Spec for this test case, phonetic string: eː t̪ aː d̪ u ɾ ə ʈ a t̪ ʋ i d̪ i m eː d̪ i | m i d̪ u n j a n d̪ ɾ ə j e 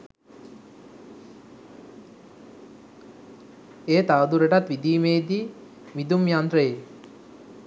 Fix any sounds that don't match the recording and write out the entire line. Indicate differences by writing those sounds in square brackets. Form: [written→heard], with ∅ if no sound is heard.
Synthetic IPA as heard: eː t̪ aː d̪ u ɾ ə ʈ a t̪ ʋ i d̪ [i→iː] m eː d̪ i | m i d̪ u [n→m] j a n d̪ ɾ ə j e